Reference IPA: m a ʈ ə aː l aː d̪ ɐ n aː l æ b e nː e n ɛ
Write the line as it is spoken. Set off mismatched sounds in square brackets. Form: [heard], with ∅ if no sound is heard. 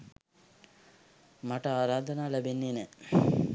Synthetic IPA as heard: m a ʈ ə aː [ɾ] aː d̪ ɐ n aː l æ b e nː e n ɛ